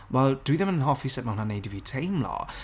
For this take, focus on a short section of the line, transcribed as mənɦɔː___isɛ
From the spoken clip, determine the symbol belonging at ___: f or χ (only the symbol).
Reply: f